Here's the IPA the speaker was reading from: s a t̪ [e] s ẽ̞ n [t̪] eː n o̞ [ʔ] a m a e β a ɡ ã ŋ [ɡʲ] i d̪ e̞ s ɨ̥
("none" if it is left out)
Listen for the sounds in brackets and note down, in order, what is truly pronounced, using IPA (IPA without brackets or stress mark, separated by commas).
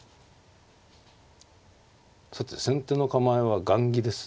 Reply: e, t̪, k, ɡʲ